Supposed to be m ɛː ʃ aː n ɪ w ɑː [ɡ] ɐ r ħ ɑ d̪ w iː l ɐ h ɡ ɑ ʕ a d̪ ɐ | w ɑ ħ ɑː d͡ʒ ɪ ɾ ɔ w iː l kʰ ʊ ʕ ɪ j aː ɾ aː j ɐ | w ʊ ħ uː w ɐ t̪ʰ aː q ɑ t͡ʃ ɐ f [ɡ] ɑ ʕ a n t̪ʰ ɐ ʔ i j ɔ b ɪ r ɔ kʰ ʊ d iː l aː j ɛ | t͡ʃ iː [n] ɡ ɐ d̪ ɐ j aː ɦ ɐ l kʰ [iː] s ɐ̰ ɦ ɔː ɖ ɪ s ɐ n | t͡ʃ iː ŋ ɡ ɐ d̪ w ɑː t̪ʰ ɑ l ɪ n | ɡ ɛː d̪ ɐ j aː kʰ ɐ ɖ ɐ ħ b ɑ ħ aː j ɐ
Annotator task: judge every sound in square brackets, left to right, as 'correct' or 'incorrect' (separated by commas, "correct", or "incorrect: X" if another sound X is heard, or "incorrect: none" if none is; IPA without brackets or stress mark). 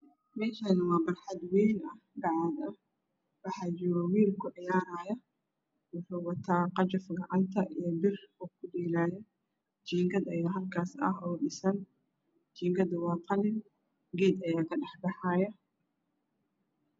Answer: incorrect: b, correct, incorrect: ŋ, incorrect: aː